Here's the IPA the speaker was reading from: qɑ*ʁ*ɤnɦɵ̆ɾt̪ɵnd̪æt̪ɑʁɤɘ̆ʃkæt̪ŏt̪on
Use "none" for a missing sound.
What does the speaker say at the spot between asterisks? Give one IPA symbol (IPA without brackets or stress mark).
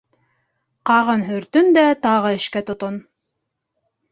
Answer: ʁ